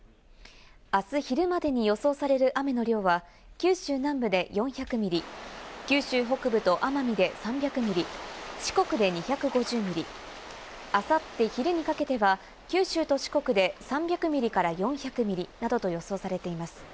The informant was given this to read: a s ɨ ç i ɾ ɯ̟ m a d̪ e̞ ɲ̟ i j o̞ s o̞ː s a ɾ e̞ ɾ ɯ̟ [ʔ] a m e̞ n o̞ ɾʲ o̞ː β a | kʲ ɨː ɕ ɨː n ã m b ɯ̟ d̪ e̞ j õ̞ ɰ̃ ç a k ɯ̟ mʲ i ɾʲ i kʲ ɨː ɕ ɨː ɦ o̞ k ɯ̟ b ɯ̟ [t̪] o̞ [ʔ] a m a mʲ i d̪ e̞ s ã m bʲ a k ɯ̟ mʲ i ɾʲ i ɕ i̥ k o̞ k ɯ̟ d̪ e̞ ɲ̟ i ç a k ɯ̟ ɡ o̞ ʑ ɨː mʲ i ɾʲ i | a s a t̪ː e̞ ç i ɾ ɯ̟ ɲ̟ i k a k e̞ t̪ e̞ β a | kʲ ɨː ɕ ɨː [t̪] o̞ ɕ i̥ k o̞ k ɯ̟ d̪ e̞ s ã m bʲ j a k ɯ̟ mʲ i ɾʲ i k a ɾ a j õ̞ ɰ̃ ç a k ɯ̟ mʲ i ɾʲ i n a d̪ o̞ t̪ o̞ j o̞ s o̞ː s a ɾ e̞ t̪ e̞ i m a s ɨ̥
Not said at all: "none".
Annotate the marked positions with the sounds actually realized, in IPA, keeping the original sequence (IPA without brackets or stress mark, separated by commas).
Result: ʔ, t̪, ʔ, t̪